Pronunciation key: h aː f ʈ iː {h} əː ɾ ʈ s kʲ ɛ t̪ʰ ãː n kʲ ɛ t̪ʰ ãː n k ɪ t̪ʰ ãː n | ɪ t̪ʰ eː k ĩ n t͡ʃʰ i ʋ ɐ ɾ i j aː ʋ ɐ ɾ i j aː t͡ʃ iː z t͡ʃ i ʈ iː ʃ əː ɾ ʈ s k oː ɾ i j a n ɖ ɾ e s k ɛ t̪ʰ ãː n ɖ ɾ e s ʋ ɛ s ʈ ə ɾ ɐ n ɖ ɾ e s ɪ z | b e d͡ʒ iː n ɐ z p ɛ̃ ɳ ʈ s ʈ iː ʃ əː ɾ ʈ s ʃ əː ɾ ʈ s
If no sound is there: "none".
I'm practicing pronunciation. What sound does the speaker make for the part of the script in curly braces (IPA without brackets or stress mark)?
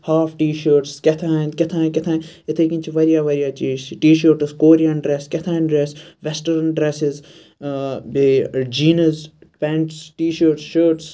ʃ